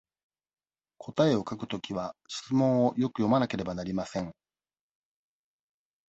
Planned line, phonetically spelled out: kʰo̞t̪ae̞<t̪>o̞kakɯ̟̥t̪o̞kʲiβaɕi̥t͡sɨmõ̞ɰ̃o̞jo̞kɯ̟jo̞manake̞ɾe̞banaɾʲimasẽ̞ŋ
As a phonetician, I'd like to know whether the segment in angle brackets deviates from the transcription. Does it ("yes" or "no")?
yes